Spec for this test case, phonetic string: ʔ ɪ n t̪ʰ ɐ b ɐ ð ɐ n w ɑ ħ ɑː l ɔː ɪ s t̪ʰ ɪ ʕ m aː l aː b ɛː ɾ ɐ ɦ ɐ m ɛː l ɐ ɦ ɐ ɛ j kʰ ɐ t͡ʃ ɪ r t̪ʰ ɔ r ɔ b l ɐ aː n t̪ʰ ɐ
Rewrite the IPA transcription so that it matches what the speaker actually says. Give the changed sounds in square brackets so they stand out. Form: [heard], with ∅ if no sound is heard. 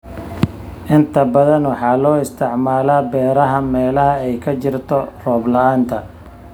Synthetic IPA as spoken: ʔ ɪ n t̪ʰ ɐ b ɐ ð ɐ n w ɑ ħ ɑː l ɔː ɪ s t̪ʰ ɪ ʕ m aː l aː b ɛː ɾ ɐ ɦ ɐ m ɛː l ɐ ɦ ɐ ɛ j kʰ ɐ t͡ʃ ɪ r t̪ʰ ɔ r [ɔː] b l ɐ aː n t̪ʰ ɐ